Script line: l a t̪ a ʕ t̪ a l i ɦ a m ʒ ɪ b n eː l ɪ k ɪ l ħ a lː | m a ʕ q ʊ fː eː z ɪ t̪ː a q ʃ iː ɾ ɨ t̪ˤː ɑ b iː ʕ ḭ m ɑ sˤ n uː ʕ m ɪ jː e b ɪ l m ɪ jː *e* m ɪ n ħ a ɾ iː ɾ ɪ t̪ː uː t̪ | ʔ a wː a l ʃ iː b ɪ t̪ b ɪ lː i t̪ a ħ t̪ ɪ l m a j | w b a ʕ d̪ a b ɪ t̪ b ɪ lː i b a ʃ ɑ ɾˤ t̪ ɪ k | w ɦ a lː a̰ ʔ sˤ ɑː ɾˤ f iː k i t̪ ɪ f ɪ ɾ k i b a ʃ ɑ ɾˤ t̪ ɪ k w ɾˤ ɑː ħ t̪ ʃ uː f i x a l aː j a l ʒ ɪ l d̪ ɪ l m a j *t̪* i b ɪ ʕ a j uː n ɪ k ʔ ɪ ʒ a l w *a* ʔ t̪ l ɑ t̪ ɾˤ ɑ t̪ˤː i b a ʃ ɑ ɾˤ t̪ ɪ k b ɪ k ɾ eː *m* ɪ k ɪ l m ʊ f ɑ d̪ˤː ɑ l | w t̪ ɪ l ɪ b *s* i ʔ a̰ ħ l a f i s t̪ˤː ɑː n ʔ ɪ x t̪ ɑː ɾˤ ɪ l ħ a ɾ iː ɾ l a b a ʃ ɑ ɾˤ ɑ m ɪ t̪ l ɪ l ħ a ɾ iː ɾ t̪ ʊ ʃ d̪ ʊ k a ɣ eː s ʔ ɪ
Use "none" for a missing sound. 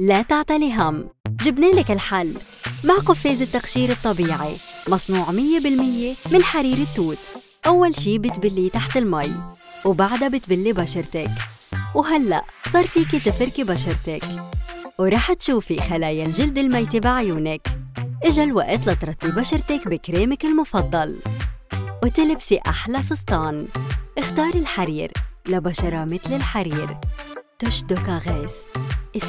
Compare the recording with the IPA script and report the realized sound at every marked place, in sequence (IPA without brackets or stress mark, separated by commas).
e, t̪, a, m, s